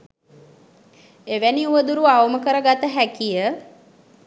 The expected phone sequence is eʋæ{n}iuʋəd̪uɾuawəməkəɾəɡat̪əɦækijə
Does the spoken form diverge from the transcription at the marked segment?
no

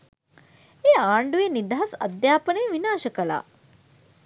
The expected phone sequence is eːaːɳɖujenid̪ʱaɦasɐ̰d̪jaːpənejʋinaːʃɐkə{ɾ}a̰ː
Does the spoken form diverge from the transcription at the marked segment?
yes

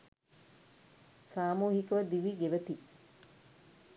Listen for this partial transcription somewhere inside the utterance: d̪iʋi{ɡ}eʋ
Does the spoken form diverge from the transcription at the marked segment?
no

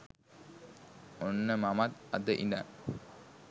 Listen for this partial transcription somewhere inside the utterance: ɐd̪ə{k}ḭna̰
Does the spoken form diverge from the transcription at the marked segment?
yes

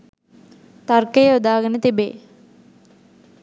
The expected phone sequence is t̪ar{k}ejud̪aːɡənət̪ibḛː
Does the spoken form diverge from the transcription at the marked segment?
no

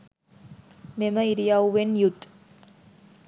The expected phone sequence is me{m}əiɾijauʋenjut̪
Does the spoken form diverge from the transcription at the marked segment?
no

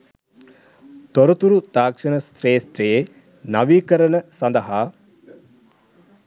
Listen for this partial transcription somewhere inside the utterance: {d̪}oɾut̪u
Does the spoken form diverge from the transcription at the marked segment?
yes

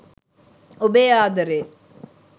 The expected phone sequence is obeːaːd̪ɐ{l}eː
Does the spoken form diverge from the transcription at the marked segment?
yes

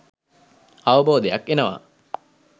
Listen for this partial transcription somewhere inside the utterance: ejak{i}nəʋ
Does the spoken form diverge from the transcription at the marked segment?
yes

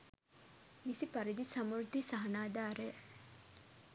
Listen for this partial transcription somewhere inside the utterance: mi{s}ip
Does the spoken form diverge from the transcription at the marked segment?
no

